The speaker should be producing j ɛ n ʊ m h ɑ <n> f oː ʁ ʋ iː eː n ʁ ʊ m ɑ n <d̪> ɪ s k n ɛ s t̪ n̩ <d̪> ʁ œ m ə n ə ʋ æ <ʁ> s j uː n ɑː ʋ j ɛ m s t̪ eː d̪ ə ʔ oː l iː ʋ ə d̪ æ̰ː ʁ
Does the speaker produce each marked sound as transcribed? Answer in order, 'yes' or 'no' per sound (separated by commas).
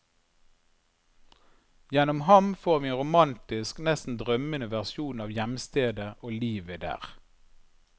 no, no, yes, yes